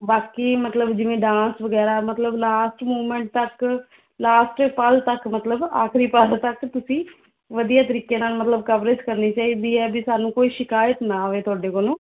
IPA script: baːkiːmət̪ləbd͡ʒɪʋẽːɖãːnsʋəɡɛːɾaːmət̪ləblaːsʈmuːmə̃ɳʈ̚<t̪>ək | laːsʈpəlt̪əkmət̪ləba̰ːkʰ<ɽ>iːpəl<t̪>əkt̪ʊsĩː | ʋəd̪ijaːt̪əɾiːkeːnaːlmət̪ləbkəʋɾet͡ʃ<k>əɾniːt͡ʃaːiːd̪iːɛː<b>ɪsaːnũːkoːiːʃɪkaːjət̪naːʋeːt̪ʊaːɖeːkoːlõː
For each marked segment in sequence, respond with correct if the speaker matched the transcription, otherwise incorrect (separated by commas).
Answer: correct, incorrect, correct, correct, correct